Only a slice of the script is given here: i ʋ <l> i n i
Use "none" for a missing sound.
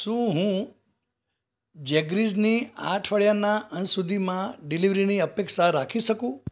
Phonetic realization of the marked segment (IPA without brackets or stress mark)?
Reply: ɾ